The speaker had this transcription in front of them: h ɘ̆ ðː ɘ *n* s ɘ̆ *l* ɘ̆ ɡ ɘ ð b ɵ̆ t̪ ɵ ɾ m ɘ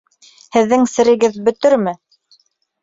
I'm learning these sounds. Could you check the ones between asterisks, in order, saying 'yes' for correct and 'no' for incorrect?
no, no

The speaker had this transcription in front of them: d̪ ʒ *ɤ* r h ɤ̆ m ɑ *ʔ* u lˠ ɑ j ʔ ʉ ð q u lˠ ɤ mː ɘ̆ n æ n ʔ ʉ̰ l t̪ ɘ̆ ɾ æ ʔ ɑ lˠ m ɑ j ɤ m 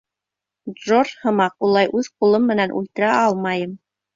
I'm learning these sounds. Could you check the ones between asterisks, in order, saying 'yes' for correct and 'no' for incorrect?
no, no

